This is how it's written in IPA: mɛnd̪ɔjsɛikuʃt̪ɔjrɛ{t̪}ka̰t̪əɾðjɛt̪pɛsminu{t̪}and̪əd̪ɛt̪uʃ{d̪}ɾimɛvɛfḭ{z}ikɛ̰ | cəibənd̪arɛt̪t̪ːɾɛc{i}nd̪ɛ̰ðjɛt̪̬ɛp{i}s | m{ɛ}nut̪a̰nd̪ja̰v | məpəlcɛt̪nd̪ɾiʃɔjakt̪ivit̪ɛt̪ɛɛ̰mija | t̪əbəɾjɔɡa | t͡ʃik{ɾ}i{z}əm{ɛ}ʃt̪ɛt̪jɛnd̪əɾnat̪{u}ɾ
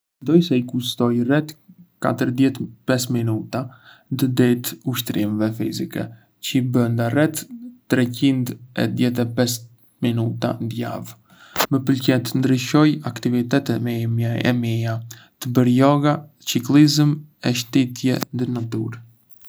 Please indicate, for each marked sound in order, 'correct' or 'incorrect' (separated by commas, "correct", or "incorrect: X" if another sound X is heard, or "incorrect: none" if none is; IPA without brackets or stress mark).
correct, correct, incorrect: t̪, correct, correct, incorrect: ɛ, incorrect: i, incorrect: l, correct, correct, correct